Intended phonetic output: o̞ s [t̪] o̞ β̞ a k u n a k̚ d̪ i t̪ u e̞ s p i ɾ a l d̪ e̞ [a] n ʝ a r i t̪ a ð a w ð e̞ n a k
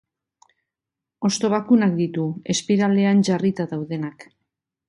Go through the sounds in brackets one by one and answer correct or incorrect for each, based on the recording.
correct, correct

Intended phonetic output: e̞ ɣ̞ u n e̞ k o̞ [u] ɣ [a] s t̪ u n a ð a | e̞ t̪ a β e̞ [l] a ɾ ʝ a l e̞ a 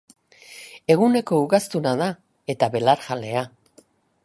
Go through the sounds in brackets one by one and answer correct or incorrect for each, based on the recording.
correct, correct, correct

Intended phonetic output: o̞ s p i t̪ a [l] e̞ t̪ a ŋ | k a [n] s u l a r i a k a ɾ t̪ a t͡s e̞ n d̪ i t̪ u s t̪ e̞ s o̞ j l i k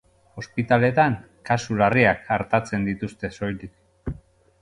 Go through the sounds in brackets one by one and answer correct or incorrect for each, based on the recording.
correct, incorrect: none

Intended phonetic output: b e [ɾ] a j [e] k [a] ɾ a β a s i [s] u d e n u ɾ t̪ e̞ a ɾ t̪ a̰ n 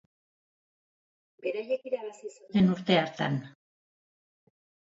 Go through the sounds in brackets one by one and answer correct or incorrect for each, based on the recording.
correct, correct, incorrect: i, correct

